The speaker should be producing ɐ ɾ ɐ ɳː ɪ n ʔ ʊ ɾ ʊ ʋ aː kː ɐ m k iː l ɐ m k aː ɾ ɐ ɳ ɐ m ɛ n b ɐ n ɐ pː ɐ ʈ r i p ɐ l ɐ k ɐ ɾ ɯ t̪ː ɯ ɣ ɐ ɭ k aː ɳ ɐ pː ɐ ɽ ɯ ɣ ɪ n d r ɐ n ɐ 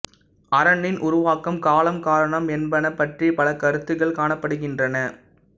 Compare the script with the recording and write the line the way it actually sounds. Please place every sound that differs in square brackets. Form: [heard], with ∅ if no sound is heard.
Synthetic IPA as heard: ɐ ɾ ɐ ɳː ɪ n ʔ ʊ ɾ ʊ ʋ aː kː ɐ m k [aː] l ɐ m k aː ɾ ɐ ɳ ɐ m ɛ n b ɐ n ɐ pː ɐ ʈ r i p ɐ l ɐ k ɐ ɾ ɯ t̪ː ɯ ɣ ɐ ɭ k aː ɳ ɐ pː ɐ ɽ ɯ ɣ ɪ n d r ɐ n ɐ